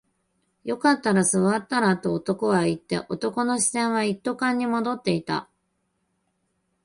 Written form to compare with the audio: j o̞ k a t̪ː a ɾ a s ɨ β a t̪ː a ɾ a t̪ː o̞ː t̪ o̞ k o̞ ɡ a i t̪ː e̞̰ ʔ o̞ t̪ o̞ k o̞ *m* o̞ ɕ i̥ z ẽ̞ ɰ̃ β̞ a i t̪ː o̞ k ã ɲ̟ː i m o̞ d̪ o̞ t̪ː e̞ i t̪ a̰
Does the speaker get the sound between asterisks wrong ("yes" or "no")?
yes